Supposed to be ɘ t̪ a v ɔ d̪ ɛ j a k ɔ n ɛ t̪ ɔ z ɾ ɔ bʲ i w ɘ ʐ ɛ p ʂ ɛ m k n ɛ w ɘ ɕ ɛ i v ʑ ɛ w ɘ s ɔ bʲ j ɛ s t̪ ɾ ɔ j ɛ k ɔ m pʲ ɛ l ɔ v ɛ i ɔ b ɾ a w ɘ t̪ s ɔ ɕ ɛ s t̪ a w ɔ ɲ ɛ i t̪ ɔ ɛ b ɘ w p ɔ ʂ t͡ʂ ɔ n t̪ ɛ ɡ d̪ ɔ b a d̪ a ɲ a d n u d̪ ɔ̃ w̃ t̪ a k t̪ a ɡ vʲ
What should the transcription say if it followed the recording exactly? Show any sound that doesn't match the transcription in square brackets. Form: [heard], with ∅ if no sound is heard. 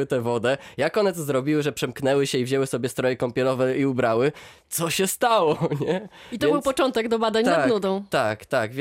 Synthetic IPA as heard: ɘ t̪ [ɛ] v ɔ d̪ ɛ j a k ɔ n ɛ t̪ ɔ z ɾ ɔ bʲ i w ɘ ʐ ɛ p ʂ ɛ m k n ɛ w ɘ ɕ ɛ i v ʑ ɛ w ɘ s ɔ bʲ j ɛ s t̪ ɾ ɔ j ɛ k ɔ m pʲ ɛ l ɔ v ɛ i [u] b ɾ a w ɘ t̪ s ɔ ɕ ɛ s t̪ a w ɔ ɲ ɛ i t̪ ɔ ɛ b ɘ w p ɔ [∅] t͡ʂ ɔ n t̪ ɛ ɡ d̪ ɔ b a d̪ a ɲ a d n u d̪ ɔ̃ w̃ t̪ a k t̪ a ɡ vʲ